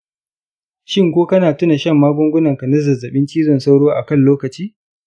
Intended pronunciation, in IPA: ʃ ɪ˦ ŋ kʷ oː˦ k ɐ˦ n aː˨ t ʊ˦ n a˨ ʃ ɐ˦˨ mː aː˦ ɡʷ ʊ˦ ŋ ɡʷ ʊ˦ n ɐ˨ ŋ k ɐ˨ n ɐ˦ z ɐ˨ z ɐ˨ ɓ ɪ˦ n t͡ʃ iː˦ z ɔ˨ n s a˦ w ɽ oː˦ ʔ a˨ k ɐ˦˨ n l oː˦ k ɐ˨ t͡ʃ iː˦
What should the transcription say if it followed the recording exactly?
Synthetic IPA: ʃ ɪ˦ ŋ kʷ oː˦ k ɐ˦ n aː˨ t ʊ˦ n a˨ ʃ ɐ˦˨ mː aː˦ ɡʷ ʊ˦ ŋ ɡʷ ʊ˦ n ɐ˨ ŋ k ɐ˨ n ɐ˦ z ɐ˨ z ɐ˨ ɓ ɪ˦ n t͡ʃ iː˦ z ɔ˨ n s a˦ w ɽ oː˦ ʔ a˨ k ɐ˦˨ n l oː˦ k ɐ˨ t͡ʃ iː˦